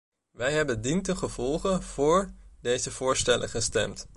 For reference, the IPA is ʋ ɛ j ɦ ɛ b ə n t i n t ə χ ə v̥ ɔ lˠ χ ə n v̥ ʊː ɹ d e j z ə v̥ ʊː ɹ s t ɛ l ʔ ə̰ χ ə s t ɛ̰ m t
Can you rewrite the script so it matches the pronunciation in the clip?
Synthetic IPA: ʋ ɛ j ɦ ɛ b ə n d i n t ə χ ə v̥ ɔ lˠ χ ə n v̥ ʊː ɹ d e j z ə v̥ ʊː ɹ s t ɛ l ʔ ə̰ χ ə s t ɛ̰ m t